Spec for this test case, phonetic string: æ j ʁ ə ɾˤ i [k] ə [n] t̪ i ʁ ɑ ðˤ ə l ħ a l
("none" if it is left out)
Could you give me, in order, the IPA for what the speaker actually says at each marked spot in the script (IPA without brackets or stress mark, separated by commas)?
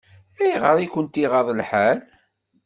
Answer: k, n